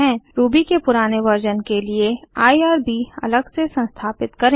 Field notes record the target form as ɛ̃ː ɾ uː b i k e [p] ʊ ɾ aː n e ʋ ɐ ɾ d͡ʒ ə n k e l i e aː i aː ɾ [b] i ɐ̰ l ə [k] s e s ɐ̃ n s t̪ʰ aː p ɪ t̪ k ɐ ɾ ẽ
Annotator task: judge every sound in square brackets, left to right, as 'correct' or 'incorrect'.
correct, correct, incorrect: ɡ

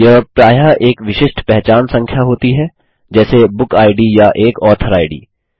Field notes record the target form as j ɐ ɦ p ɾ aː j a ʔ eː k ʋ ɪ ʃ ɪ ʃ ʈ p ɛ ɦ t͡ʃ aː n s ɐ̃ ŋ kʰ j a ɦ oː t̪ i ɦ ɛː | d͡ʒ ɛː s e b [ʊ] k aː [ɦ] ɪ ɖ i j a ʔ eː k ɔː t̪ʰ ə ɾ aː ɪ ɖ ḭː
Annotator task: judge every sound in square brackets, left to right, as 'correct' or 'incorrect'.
correct, incorrect: none

